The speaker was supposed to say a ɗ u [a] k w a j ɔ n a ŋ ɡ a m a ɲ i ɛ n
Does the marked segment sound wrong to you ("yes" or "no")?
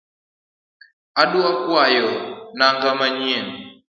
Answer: no